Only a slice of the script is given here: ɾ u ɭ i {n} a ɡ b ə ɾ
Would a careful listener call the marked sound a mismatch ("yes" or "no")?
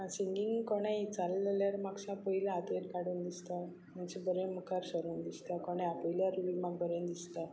yes